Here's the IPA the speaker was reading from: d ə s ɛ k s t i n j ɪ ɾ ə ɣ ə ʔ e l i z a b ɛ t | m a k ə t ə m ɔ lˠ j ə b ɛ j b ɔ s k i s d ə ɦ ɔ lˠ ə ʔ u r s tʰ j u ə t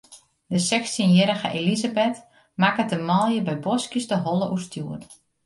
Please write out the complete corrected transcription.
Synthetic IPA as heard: d ə s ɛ k s t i n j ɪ ɾ ə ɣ ə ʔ e l i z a b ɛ t | m a k ə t ə m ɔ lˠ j ə b ɛ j b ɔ s k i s d ə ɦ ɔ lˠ ə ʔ u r s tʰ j u ə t